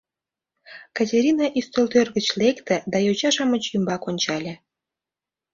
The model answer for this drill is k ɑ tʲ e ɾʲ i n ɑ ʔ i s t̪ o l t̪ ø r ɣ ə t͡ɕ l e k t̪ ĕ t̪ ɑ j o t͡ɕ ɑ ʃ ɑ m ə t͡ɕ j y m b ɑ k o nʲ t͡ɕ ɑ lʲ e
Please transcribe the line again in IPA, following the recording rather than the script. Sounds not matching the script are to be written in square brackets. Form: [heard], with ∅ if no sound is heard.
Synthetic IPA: k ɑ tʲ e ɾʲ i n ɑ ʔ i s t̪ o l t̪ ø r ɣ ə t͡ɕ l e k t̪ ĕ [d̪] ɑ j o t͡ɕ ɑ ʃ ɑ m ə t͡ɕ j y m b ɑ k o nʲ t͡ɕ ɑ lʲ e